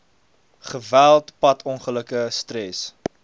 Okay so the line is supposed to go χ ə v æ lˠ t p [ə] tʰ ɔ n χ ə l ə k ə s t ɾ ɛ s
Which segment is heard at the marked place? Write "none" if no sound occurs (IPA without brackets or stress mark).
ɐ